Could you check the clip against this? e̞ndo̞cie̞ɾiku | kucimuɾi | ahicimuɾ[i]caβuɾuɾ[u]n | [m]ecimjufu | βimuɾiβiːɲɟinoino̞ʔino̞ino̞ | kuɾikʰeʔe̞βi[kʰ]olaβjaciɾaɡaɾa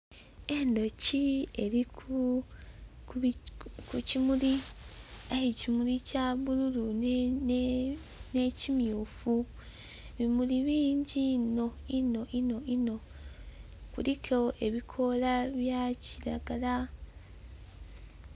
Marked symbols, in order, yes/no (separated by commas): yes, yes, no, yes